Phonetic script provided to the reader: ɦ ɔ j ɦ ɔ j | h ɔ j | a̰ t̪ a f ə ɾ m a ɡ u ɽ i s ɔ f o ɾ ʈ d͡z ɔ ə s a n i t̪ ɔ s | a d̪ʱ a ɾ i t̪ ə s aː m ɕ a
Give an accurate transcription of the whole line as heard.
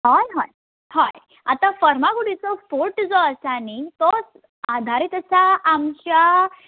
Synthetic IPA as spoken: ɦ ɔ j ɦ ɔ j | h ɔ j | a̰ t̪ a f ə ɾ m a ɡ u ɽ i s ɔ f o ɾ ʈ d͡z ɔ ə s a n i t̪ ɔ s | a d̪ʱ a ɾ i t̪ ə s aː m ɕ a

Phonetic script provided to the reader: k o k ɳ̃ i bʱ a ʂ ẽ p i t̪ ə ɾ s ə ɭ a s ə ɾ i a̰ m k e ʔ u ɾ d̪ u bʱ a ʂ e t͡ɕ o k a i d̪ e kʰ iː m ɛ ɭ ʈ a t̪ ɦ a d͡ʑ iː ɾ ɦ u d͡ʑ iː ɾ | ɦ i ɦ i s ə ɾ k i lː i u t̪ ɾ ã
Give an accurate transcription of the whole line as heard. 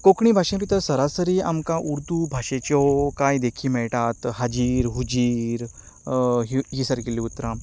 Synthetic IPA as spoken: k o k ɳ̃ i bʱ a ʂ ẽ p i t̪ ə ɾ s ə ɾ a s ə ɾ i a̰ m k a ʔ u ɾ d̪ u bʱ a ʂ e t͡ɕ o k a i d̪ e kʰ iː m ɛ ɭ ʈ a t̪ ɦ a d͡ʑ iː ɾ ɦ u d͡ʑ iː ɾ | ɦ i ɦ i s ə ɾ k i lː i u t̪ ɾ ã

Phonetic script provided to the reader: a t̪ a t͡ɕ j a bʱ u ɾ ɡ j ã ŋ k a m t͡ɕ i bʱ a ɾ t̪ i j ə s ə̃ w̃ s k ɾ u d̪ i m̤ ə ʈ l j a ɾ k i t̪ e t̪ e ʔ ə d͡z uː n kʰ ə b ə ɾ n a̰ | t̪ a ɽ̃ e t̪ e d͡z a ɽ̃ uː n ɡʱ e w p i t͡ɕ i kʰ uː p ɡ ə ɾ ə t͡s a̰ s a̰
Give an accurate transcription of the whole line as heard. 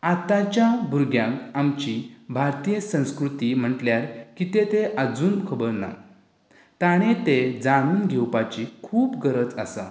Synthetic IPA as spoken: a t̪ a t͡ɕ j a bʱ u ɾ ɡ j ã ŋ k a m t͡ɕ i bʱ a ɾ t̪ i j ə s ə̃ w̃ s k ɾ u t̪ i m̤ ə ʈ l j a ɾ k i t̪ e t̪ e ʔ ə d͡z uː n kʰ ə b ə ɾ n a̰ | t̪ a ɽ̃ e t̪ e d͡z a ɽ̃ uː n ɡʱ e w p a t͡ɕ i kʰ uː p ɡ ə ɾ ə t͡s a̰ s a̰

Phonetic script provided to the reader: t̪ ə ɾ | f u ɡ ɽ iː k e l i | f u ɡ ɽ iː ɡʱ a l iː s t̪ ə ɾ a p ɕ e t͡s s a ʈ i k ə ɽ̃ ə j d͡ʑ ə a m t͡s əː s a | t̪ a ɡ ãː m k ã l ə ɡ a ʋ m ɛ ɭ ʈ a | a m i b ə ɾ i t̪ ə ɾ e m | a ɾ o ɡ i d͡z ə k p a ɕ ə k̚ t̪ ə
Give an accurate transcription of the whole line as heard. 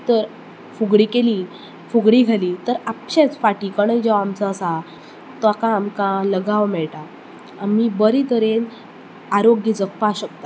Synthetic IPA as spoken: t̪ ə ɾ | f u ɡ ɽ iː k e l i | f u ɡ ɽ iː ɡʱ a l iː t̪ ə ɾ a p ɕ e t͡s f a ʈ i k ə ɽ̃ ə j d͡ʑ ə a m t͡s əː s a | t̪ a k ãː m k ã l ə ɡ a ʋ m ɛ ɭ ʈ a | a m i b ə ɾ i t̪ ə ɾ e n | a ɾ o ɡ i d͡z ə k p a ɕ ə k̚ t̪ a

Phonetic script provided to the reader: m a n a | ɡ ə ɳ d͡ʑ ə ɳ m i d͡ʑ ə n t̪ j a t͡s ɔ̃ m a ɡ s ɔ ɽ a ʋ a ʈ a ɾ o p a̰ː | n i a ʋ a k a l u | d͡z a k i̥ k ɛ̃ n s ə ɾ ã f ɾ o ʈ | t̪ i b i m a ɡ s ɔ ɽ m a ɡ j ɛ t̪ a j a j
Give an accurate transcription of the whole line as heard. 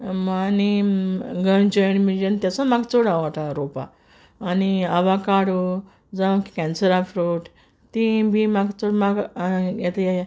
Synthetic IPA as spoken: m a n i | ɡ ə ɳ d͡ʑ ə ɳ m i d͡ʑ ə n t̪ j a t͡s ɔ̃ m a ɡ t͡s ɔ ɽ a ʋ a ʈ a ɾ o p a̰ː | n i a ʋ a k a ɽ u | d͡z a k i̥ k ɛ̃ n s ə ɾ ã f ɾ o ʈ | t̪ i b i m a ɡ t͡s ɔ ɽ m a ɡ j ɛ t̪ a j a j

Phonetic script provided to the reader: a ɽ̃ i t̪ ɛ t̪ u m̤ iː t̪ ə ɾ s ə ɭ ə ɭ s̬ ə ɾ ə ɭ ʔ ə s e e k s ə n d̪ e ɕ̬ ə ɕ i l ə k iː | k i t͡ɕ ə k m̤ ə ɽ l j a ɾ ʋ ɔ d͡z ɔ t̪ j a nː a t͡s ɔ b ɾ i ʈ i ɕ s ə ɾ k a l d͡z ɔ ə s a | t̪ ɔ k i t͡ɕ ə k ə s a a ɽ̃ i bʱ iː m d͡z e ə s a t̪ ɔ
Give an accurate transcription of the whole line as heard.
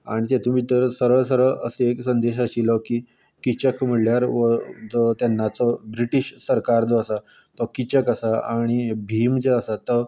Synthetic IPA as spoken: a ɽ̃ i t̪ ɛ t̪ u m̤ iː t̪ ə ɾ s ə ɾ ə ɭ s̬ ə ɾ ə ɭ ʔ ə s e e k s ə n d̪ e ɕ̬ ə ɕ i l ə k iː | k i t͡ɕ ə k m̤ ə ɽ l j a ɾ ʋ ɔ d͡z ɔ t̪ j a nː a t͡s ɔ b ɾ i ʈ i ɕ s ə ɾ k a ɾ d͡z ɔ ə s a | t̪ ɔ k i t͡ɕ ə k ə s a a ɽ̃ i bʱ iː m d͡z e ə s a t̪ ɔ

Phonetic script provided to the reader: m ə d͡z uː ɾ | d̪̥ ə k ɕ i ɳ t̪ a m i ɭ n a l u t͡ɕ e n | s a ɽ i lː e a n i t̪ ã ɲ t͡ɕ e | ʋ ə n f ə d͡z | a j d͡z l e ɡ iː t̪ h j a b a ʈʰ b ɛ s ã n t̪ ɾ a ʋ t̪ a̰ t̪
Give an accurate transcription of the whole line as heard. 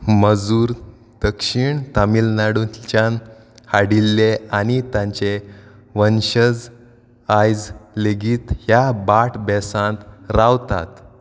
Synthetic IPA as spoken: m ə d͡z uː ɾ | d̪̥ ə k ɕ i ɳ t̪ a m i l n a ɽ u t͡ɕ a n | h a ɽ i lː e a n i t̪ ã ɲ t͡ɕ e | ʋ ə n ɕ ə d͡z | a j d͡z l e ɡ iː t̪ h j a b a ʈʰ b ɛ s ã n t̪ ɾ a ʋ t̪ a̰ t̪

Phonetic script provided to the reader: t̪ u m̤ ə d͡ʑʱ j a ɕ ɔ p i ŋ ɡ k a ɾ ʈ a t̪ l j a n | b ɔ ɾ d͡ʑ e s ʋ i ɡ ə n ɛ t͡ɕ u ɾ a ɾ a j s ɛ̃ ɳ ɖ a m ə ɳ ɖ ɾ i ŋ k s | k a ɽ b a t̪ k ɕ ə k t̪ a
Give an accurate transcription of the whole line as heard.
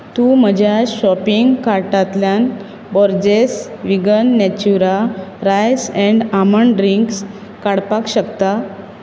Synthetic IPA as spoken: t̪ u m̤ ə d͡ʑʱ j a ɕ ɔ p i ŋ ɡ k a ɾ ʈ a t̪ l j a n | b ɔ ɾ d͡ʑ e s ʋ i ɡ ə nː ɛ t͡ɕ u ɾ a ɾ a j s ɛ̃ ɳ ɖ a m ə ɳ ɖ ɾ i ŋ k s | k a ɽ p a k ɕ ə k t̪ a

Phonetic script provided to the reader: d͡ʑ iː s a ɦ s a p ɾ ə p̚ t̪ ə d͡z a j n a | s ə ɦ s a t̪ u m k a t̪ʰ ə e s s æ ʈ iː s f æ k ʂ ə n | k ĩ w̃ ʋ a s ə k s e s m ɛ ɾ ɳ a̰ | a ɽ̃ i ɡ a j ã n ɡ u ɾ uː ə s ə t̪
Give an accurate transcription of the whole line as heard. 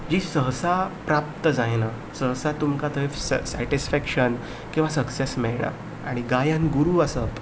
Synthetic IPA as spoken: d͡ʑ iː s ə ɦ s a p ɾ a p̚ t̪ ə d͡z a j n a | s ə ɦ s a t̪ u m k a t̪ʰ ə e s s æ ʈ i s f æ k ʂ ə n | k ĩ w̃ ʋ a s ə k s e s m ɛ ɭ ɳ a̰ | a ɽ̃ i ɡ a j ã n ɡ u ɾ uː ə s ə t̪

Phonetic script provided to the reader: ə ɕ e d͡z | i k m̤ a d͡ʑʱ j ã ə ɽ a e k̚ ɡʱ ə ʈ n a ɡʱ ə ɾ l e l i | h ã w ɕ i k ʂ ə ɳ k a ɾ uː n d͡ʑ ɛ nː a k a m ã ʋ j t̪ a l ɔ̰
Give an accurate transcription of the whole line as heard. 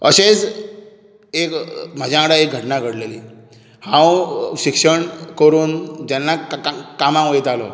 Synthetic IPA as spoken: ə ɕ e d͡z | e k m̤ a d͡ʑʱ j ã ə ɽ a e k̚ ɡʱ ə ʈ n a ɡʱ ə ɽ l e l i | h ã w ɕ i k ʂ ə ɳ k ə ɾ uː n d͡ʑ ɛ nː a k a m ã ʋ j t̪ a l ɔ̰

